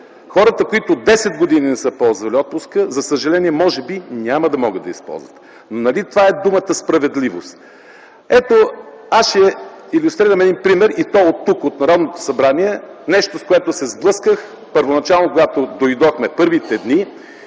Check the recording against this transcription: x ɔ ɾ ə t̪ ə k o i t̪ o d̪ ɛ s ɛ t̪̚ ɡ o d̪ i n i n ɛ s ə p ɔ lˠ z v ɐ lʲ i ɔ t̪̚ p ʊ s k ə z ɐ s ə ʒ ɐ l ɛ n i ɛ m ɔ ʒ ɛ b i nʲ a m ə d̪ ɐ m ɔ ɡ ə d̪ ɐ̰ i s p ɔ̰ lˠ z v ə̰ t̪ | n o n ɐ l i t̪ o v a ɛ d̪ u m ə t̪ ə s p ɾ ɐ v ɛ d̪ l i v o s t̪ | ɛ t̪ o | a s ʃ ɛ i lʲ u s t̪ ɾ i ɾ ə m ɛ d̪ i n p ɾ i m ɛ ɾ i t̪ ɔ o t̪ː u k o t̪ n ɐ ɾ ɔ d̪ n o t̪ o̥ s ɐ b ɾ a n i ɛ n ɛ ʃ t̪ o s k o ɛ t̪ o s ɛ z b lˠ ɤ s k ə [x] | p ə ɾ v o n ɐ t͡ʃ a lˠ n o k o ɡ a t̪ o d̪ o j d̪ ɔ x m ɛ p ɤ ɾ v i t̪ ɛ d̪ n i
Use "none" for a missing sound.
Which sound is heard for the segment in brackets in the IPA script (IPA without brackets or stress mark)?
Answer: x